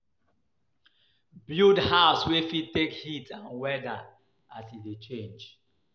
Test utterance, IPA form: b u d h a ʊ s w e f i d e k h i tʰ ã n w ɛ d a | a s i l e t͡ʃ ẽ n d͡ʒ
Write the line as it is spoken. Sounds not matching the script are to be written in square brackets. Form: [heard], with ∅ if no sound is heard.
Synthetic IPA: b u d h a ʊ s w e f i [t] e k h i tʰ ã n w ɛ d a | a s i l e t͡ʃ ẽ n d͡ʒ